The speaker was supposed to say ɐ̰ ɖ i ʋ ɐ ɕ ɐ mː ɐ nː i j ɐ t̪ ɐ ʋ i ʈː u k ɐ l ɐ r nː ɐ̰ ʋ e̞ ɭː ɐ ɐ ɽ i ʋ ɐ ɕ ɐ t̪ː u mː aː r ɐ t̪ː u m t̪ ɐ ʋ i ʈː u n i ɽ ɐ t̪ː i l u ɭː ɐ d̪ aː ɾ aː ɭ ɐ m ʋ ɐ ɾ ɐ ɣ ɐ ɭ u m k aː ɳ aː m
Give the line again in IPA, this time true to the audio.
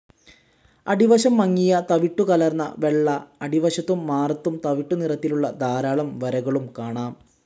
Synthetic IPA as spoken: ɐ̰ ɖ i ʋ ɐ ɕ ɐ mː ɐ ŋː i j ɐ t̪ ɐ ʋ i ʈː u k ɐ l ɐ r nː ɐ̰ ʋ e̞ ɭː ɐ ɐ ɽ i ʋ ɐ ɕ ɐ t̪ː u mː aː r ɐ t̪ː u m t̪ ɐ ʋ i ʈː u n i r ɐ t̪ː i l u ɭː ɐ d̪ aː ɾ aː ɭ ɐ m ʋ ɐ ɾ ɐ ɣ ɐ ɭ u m k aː ɳ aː m